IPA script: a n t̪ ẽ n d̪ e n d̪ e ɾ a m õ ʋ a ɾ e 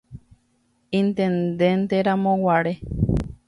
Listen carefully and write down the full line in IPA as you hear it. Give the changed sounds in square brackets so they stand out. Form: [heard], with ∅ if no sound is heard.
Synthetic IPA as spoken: [i] n t̪ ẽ n d̪ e n [t̪] e ɾ a m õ [w] a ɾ e